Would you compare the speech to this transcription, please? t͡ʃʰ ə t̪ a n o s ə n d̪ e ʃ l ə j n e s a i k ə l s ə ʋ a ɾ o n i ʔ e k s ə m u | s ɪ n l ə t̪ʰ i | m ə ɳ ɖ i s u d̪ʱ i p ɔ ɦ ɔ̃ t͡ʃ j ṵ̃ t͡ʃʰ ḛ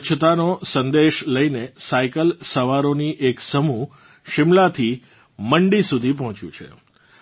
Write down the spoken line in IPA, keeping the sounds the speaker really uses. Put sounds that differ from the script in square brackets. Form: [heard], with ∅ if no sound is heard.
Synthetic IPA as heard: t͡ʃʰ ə t̪ a n o s ə n d̪ e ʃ l ə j n e s a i k ə l s ə ʋ a ɾ o n i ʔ e k s ə m u | [ʃ] ɪ [m] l [a] t̪ʰ i | m ə ɳ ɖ i s u d̪ʱ i p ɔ ɦ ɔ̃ t͡ʃ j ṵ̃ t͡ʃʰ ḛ